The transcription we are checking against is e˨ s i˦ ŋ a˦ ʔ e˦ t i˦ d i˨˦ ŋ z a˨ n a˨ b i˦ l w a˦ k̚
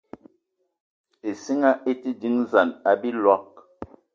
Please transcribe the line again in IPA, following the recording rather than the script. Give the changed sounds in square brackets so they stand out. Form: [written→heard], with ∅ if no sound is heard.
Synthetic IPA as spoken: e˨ s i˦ ŋ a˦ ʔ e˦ t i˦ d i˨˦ ŋ z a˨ n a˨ b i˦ l w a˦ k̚